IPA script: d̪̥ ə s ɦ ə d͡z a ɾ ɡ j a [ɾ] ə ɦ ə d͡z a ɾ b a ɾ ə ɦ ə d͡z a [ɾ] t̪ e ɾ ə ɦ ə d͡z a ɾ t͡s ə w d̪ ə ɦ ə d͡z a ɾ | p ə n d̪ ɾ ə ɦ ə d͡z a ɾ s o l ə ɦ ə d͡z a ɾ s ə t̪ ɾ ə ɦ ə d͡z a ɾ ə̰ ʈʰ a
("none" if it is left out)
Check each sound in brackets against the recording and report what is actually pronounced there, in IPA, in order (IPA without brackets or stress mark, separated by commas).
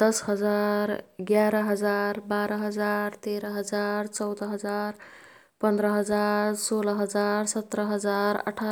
ɾ, ɾ